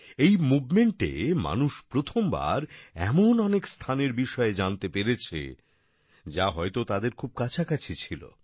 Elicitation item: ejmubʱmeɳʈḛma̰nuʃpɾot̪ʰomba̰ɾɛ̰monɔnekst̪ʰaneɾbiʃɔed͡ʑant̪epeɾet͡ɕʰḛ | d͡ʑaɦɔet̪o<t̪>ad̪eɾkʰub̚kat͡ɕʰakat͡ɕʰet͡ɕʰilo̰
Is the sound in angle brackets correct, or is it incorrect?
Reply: correct